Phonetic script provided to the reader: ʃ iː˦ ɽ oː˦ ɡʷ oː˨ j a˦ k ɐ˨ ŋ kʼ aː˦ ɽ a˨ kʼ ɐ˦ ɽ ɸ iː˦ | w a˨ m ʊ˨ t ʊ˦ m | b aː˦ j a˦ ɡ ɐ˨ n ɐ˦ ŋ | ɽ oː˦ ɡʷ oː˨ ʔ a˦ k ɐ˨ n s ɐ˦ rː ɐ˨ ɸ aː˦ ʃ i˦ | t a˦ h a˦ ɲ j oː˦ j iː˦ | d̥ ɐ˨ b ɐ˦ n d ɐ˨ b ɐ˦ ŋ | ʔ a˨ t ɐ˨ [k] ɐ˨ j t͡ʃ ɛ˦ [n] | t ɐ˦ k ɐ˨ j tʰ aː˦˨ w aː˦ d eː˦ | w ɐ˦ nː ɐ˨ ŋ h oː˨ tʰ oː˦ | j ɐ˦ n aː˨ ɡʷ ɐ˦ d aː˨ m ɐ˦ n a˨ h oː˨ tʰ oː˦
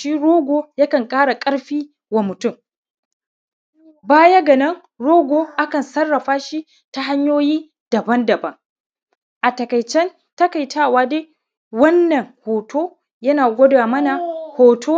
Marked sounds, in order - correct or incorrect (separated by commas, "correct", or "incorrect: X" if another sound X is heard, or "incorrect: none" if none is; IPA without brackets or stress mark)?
correct, correct